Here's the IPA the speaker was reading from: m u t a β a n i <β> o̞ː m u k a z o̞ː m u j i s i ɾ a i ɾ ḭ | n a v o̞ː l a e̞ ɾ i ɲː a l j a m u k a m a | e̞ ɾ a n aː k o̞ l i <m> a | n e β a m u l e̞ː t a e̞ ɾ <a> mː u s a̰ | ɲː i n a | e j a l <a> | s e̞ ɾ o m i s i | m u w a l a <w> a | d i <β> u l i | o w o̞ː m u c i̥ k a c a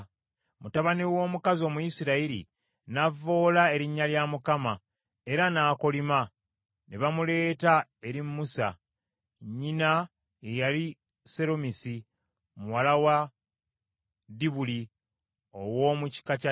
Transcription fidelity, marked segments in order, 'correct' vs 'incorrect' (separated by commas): incorrect, correct, incorrect, incorrect, correct, correct